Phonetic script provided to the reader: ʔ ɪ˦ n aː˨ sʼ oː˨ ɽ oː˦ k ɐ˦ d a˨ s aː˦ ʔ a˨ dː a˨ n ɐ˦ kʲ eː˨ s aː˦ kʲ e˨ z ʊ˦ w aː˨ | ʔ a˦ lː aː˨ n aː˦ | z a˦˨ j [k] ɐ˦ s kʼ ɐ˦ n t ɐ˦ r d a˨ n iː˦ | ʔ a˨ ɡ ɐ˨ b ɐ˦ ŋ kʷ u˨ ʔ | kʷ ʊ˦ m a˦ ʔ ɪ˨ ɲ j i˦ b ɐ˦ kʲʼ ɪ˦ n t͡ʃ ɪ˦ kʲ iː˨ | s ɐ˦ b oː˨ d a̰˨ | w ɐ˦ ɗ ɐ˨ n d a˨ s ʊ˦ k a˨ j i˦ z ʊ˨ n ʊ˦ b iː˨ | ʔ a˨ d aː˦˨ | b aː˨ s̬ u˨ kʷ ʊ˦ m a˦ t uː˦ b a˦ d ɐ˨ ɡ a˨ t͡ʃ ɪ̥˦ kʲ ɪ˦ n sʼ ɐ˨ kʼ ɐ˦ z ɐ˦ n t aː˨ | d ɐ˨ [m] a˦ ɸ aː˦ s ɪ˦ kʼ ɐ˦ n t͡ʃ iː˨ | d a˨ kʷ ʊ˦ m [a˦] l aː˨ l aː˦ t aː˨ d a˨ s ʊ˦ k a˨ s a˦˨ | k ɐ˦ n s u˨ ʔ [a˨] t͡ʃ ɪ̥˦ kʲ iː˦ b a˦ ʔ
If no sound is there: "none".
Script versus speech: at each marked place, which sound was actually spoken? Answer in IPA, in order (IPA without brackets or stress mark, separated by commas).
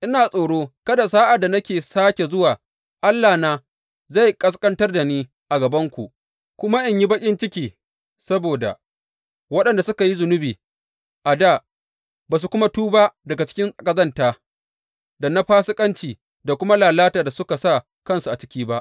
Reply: kʼ, n, a˦, a˨